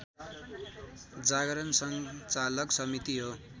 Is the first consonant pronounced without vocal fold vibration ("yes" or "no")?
no